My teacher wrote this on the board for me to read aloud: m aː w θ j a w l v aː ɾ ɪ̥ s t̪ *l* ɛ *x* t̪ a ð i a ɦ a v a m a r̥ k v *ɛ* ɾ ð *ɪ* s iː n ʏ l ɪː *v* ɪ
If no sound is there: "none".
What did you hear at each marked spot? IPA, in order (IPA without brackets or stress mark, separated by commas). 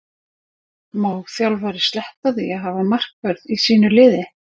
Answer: l, h, œ, i, ð